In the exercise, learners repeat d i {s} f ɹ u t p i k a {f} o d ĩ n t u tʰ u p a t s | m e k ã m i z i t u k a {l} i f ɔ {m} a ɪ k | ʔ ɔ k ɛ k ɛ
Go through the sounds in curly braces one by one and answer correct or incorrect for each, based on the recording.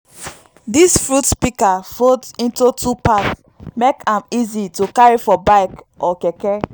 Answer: correct, correct, incorrect, incorrect

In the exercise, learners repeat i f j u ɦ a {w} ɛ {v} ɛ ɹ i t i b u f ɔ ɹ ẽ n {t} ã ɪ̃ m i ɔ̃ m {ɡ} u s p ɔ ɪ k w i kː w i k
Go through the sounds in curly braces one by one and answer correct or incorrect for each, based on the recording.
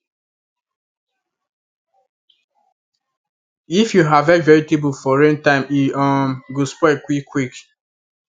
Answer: incorrect, correct, correct, correct

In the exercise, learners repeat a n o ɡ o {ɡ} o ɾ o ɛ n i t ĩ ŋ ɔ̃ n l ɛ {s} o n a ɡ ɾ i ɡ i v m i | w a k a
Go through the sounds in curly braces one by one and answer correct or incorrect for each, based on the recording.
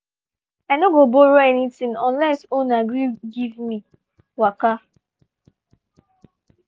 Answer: incorrect, correct

